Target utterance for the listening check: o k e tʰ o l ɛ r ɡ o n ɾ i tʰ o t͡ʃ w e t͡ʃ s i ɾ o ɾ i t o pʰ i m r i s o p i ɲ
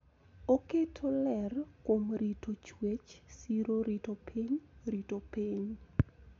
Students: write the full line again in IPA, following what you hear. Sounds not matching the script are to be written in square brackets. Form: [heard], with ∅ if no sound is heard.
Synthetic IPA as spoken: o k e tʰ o l ɛ r [k] o [m] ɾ i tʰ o t͡ʃ w e t͡ʃ s i ɾ o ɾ i t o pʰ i [ɲ] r i [t] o p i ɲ